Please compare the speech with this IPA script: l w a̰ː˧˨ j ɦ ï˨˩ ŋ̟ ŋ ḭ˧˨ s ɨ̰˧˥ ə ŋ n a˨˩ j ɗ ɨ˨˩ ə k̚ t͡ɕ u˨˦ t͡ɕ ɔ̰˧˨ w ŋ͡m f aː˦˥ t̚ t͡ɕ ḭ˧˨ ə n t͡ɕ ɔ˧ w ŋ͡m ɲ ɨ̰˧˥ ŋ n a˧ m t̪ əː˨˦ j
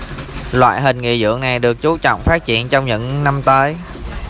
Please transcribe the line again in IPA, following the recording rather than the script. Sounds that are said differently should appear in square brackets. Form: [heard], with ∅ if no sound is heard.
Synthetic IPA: l w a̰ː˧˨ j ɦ ï˨˩ ŋ̟ ŋ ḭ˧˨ [z] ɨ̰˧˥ ə ŋ n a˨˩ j ɗ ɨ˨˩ ə k̚ t͡ɕ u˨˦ t͡ɕ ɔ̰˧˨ w ŋ͡m f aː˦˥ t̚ t͡ɕ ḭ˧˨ ə n t͡ɕ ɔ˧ w ŋ͡m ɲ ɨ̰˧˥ ŋ n a˧ m t̪ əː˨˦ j